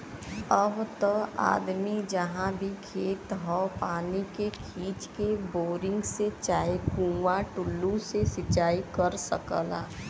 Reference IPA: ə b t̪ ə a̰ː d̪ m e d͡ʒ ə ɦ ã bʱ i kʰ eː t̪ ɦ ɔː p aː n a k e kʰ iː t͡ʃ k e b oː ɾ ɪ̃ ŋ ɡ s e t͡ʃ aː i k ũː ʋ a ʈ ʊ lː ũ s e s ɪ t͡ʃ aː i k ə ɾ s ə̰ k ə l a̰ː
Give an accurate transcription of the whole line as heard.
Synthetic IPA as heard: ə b t̪ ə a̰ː d̪ m i d͡ʒ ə ɦ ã bʱ i kʰ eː t̪ ɦ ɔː p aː n i k e kʰ iː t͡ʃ k e b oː ɾ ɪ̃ ŋ ɡ s e t͡ʃ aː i k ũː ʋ a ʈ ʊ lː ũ s e s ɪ t͡ʃ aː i k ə ɾ s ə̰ k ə l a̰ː